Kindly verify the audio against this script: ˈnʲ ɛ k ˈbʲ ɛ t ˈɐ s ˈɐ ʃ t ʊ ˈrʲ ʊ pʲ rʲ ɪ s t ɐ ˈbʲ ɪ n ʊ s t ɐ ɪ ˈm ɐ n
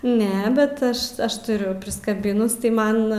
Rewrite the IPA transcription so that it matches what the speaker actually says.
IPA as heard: ˈnʲ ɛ ˈbʲ ɛ t ˈɐ ʃ ˈɐ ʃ t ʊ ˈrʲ ʊ pʲ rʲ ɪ s k ɐ ˈbʲ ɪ n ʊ s t ɐ ɪ ˈm ɐ n